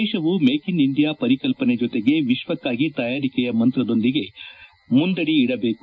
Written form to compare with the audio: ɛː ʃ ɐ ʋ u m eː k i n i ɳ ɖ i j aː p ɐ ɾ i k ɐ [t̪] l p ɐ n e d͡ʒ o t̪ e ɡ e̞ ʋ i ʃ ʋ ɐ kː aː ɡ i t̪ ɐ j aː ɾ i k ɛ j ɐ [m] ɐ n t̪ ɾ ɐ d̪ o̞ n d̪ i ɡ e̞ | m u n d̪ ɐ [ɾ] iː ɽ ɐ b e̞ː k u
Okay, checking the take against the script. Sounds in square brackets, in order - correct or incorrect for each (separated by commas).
incorrect, correct, incorrect